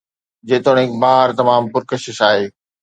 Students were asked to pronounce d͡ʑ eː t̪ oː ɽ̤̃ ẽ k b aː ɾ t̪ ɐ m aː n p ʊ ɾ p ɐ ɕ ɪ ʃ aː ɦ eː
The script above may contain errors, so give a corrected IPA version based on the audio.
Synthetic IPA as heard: d͡ʑ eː t̪ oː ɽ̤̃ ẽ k b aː ɾ t̪ ɐ m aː m p ʊ ɾ k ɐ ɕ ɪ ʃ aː ɦ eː